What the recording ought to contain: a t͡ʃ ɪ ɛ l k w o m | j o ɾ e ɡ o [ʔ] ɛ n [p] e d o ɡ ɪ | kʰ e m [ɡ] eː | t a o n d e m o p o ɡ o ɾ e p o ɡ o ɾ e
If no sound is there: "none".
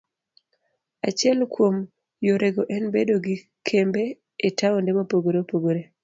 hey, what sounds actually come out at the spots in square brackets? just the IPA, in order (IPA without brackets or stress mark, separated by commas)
ʔ, b, b